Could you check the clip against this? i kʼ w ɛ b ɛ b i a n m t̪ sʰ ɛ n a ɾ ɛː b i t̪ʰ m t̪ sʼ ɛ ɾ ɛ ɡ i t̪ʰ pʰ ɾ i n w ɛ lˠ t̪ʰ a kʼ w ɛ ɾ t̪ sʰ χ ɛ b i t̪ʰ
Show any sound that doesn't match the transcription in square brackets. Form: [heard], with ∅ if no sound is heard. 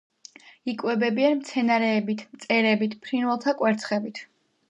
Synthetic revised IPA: i kʼ w ɛ b ɛ b i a n m t̪ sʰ ɛ n a ɾ ɛː b i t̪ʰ m t̪ sʼ ɛ ɾ ɛ [b] i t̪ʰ pʰ ɾ i n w ɛ lˠ t̪ʰ a kʼ w ɛ ɾ t̪ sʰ χ ɛ b i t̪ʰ